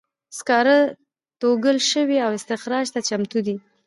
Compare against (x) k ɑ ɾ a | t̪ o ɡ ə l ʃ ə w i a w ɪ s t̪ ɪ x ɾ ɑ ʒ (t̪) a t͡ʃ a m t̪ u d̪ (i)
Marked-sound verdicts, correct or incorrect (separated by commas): incorrect, correct, correct